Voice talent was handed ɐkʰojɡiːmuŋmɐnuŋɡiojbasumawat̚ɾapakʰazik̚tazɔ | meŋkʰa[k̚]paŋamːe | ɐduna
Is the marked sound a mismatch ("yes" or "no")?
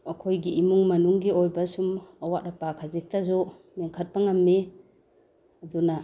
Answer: yes